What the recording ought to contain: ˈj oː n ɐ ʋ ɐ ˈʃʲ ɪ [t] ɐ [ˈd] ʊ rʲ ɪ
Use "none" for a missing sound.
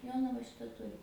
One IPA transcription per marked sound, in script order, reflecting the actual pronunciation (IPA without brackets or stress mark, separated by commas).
t, t